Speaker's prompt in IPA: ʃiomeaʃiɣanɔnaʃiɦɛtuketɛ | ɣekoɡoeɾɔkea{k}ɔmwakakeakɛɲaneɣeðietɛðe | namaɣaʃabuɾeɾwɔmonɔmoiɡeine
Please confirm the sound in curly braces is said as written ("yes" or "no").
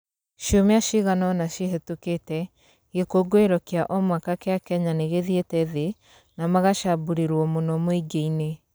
no